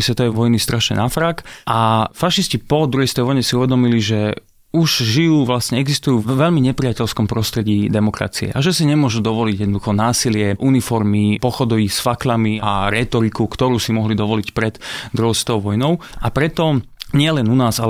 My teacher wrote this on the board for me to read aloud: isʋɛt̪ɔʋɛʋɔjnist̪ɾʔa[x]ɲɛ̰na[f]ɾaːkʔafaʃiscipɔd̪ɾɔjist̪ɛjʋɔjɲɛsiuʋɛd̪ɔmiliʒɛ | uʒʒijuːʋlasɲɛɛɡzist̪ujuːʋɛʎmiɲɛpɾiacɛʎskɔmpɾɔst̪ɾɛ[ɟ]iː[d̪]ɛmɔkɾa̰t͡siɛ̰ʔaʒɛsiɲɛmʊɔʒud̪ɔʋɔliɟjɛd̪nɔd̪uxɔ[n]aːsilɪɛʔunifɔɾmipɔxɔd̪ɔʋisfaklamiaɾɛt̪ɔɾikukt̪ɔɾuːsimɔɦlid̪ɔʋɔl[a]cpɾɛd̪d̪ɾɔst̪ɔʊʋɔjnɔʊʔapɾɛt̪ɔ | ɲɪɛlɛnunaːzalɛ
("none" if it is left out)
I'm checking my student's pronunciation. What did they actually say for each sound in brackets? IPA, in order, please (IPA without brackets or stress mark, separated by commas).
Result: ʃ, f, ɟ, d̪, n, i